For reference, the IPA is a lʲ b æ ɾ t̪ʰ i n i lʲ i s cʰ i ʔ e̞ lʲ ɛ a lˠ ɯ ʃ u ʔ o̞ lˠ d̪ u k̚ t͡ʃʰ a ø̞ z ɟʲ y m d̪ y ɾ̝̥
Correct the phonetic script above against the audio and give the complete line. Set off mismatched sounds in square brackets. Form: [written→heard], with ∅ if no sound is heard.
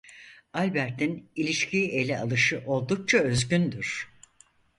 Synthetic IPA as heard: a lʲ b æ ɾ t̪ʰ i n i lʲ i [s→ʃ] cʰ i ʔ e̞ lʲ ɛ a lˠ ɯ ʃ [u→ɯ] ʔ o̞ lˠ d̪ u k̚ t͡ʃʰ a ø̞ z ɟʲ y [m→n] d̪ y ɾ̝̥